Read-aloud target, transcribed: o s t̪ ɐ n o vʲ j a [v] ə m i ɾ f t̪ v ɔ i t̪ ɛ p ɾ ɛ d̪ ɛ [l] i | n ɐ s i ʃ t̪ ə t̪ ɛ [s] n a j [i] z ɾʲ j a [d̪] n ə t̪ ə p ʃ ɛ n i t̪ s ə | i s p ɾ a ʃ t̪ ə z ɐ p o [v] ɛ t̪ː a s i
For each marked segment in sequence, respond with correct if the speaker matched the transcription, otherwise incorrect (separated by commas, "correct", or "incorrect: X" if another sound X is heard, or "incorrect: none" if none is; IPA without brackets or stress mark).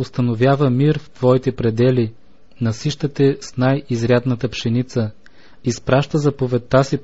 correct, correct, correct, correct, correct, correct